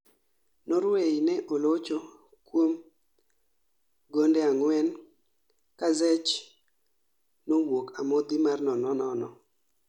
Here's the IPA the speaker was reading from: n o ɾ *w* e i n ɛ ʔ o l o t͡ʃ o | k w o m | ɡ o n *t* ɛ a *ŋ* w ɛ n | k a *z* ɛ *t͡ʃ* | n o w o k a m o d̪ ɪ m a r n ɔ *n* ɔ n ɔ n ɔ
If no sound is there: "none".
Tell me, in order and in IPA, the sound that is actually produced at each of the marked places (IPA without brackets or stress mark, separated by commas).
w, d, ŋ, z, t͡ʃ, n